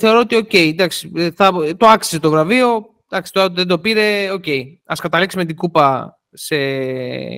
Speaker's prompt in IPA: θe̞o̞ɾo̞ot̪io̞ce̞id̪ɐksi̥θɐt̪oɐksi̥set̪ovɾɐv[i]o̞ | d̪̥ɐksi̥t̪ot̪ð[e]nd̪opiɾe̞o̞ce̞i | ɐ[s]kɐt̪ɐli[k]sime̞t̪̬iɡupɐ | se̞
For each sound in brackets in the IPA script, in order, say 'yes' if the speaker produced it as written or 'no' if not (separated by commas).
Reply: yes, yes, yes, yes